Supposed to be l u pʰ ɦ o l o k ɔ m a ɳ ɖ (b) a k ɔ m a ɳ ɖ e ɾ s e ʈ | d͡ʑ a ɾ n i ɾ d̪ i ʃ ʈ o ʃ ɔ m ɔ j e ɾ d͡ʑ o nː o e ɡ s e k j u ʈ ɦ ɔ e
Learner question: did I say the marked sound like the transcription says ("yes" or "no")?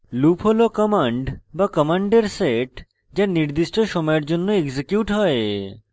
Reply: yes